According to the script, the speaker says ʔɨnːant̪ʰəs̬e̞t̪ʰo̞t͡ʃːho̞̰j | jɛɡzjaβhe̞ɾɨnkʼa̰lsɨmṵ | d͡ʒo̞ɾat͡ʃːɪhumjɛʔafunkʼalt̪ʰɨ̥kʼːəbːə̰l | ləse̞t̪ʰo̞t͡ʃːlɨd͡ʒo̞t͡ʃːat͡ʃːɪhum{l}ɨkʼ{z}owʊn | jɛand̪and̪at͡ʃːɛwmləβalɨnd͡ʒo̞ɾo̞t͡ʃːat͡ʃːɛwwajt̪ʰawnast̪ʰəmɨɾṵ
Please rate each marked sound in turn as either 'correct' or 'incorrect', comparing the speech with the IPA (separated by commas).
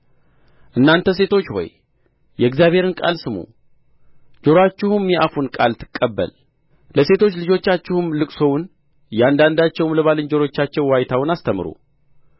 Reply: correct, incorrect